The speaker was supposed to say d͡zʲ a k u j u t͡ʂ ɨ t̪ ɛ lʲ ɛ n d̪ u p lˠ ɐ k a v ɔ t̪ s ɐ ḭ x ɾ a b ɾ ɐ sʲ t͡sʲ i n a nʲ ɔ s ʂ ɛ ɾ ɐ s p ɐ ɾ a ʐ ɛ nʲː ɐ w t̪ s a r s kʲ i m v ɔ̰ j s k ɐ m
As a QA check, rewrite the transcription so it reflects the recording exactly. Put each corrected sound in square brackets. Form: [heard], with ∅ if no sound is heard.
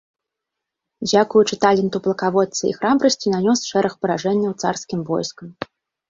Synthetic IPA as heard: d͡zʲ a k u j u t͡ʂ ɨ t̪ [a] lʲ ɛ n [t̪] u p lˠ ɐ k a v ɔ t̪ s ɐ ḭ x ɾ a b ɾ ɐ sʲ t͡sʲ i n a nʲ ɔ s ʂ ɛ ɾ ɐ [x] p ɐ ɾ a ʐ ɛ nʲː ɐ w t̪ s a r s kʲ i m v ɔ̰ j s k ɐ m